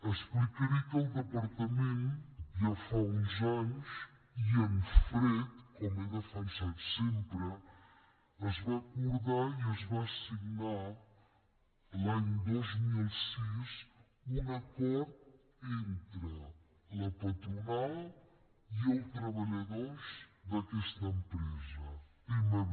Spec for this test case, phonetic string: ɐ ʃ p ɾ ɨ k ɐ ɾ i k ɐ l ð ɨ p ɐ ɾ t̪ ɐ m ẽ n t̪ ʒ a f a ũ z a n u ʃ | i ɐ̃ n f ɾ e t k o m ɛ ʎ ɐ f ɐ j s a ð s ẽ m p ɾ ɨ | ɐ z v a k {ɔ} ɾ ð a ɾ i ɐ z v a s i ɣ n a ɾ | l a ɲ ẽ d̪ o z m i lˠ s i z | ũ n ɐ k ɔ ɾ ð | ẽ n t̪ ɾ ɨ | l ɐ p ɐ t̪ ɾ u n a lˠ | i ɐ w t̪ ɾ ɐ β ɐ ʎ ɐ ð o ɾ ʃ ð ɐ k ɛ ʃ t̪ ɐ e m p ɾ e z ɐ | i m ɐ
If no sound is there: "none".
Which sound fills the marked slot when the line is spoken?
u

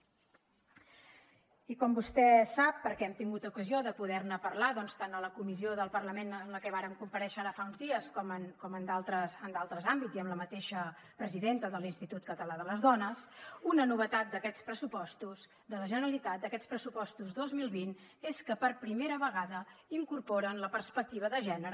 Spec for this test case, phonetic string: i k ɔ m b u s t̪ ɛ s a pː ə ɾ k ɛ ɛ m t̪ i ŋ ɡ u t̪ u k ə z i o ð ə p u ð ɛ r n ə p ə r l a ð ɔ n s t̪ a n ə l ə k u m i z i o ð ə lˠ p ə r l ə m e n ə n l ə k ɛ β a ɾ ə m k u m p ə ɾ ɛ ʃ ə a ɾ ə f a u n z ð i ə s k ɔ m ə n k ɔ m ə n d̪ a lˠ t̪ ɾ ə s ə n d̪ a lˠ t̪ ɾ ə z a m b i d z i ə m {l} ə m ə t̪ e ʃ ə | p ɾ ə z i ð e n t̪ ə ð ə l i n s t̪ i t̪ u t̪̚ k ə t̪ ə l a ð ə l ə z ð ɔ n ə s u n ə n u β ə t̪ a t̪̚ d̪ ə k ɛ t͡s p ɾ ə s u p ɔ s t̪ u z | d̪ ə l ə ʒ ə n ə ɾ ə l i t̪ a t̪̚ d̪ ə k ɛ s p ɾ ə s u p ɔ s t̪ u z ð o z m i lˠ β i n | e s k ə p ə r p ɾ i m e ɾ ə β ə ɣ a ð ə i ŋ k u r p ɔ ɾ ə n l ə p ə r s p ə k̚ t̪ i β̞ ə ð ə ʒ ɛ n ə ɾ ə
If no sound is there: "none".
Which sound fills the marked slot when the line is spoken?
l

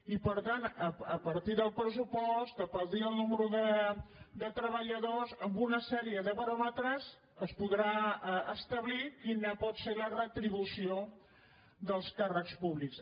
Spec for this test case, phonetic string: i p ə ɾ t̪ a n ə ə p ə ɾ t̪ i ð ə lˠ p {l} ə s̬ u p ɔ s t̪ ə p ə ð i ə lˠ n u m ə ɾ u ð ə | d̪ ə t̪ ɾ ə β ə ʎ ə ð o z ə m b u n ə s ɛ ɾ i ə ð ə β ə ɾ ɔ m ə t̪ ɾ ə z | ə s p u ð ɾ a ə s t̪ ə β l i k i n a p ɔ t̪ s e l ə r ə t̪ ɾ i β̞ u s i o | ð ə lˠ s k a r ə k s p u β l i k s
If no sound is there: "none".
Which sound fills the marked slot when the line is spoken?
ɾ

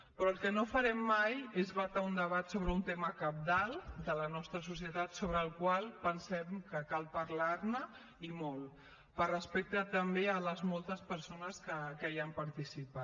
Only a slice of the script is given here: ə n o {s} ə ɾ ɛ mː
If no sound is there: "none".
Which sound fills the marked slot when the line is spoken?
f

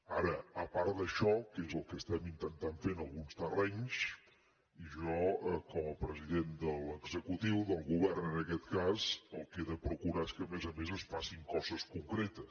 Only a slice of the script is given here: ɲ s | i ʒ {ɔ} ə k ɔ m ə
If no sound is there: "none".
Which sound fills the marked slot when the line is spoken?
ɔ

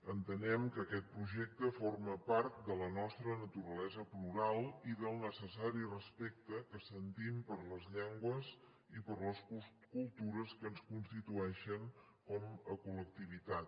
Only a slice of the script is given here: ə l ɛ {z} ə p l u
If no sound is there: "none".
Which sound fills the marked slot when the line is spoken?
z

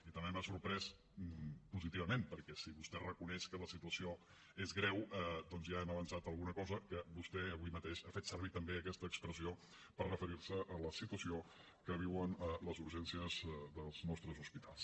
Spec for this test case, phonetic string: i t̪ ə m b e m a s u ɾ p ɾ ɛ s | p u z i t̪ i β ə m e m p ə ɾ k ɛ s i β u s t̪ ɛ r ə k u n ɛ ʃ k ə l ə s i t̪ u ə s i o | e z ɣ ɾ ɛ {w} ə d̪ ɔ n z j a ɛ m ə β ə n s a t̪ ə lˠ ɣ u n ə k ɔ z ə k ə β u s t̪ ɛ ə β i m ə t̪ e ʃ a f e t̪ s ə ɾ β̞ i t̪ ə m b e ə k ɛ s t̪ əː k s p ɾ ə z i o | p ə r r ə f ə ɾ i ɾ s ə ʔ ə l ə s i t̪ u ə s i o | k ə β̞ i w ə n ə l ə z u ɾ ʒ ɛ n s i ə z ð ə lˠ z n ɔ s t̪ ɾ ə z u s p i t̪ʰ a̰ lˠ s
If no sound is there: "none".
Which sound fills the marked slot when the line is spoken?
w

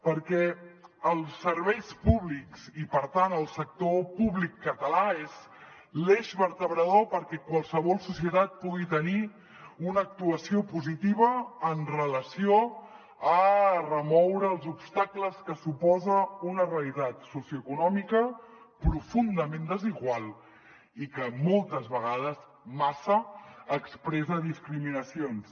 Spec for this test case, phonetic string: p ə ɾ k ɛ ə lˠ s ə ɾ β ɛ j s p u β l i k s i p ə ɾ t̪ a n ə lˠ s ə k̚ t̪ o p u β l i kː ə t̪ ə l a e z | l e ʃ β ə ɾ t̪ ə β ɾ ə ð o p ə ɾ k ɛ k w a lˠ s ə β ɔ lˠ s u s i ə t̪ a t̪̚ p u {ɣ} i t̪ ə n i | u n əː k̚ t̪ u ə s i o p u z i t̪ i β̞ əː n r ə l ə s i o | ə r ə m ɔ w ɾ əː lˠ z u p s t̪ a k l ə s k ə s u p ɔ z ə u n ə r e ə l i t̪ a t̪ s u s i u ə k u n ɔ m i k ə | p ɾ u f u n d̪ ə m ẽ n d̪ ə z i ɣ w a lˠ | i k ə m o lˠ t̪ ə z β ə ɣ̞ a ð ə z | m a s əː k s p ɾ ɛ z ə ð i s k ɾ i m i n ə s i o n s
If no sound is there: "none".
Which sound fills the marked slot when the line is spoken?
ɣ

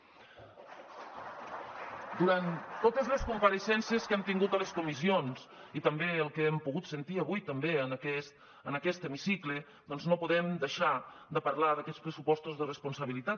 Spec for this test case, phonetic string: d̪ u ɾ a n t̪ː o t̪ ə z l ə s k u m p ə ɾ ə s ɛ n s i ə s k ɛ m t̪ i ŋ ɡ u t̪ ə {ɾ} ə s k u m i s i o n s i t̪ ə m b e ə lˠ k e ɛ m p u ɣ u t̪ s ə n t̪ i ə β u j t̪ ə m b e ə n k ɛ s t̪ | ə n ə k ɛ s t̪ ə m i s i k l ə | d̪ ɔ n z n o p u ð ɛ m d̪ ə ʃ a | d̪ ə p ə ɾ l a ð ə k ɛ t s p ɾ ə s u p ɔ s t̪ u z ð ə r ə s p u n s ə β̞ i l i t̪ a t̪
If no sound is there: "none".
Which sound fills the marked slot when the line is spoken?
l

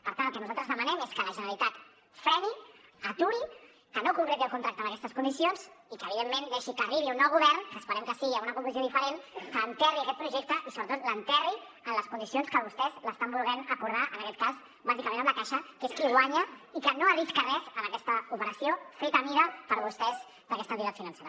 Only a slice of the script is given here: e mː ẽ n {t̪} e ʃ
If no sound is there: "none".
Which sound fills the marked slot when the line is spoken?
d̪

